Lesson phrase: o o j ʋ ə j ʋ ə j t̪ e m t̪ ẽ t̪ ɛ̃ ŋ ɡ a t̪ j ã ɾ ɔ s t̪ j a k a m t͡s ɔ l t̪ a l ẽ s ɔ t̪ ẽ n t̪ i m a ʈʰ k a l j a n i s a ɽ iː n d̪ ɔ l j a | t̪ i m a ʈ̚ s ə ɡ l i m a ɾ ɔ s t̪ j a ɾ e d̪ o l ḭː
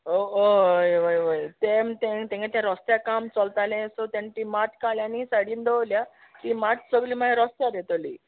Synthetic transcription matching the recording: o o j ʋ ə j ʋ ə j t̪ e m t̪ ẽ t̪ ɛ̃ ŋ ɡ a t̪ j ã ɾ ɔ s t̪ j a k a m t͡s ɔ l t̪ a l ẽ s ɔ t̪ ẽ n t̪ i m a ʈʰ k a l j a n i s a ɽ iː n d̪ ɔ l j a | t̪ i m a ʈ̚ s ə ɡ l i m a ɾ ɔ s t̪ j a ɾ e t̪ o l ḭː